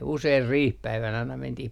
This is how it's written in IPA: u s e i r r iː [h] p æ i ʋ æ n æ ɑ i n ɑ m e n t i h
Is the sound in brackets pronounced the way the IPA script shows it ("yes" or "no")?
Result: yes